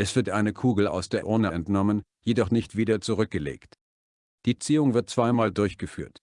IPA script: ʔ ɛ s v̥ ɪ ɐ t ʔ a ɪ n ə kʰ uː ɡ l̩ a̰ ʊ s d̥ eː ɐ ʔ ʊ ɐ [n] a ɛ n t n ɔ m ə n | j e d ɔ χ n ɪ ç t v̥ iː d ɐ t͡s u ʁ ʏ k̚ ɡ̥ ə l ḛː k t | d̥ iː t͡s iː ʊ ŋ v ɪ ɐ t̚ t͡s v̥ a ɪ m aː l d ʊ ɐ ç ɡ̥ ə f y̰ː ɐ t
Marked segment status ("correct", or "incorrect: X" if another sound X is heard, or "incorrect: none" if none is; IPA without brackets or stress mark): correct